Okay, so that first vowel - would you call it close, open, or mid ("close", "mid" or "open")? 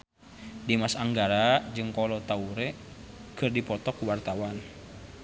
close